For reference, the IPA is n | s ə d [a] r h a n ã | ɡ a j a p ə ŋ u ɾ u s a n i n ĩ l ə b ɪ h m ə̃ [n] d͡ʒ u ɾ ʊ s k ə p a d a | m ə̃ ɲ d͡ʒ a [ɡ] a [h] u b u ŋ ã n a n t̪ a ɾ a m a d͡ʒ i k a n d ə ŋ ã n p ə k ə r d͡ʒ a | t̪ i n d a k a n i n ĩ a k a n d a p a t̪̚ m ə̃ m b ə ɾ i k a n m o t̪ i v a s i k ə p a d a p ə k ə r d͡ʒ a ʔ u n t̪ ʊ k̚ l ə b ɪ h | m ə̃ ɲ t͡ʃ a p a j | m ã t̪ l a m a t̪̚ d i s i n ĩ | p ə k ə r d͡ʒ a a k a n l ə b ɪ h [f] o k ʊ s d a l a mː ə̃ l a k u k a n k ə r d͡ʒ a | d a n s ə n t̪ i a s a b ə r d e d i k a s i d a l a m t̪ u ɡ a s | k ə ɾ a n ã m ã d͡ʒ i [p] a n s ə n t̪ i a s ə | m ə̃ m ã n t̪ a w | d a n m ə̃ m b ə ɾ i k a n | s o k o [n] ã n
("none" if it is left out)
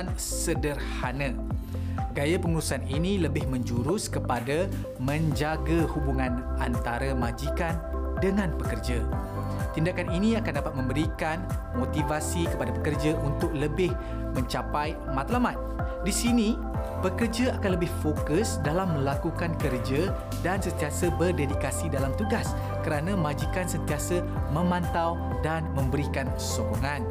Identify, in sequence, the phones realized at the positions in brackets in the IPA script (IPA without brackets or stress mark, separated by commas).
ə, ɲ, ɡ, h, f, k, ŋ